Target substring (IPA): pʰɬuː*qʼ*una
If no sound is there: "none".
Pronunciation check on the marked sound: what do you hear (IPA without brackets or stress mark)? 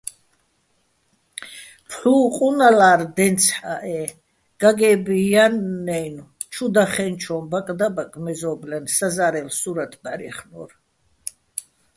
qʼ